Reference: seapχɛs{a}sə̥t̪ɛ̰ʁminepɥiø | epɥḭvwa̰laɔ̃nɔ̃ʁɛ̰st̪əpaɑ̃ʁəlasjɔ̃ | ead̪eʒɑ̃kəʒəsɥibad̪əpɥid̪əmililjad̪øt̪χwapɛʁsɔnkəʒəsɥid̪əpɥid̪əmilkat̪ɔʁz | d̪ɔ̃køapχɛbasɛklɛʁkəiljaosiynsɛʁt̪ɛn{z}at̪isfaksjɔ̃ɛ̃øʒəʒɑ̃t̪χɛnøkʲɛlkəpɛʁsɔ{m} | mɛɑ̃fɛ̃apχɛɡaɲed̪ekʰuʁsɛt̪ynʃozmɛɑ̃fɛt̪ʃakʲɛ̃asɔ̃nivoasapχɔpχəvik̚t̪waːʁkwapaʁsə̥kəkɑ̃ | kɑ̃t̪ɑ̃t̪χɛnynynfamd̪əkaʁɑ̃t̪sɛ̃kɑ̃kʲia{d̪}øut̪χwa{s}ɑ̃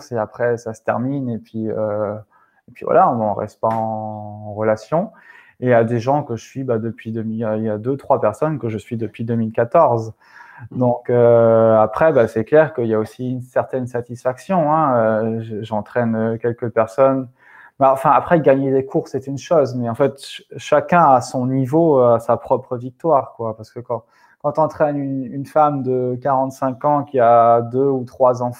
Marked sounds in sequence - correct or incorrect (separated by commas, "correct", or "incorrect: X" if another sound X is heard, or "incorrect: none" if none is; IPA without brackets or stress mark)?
correct, incorrect: s, incorrect: n, correct, incorrect: z